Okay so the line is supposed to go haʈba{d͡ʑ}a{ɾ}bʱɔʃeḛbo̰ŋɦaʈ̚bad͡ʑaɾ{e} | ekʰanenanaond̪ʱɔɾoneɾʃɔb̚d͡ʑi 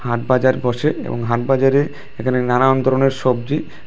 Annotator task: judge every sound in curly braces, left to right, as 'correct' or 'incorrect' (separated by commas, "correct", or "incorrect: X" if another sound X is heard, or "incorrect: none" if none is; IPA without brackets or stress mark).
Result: correct, correct, correct